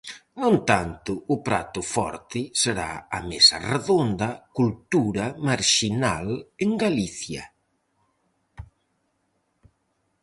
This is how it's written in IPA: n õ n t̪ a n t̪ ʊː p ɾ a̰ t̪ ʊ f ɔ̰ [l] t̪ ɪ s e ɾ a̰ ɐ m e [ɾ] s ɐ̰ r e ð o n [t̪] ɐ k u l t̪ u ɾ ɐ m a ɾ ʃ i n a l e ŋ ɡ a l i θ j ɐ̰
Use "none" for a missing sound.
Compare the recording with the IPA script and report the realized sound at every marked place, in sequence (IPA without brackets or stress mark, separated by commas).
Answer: ɾ, none, d̪